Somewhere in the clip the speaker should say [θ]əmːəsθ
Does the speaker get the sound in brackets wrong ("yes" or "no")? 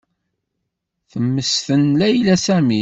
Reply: no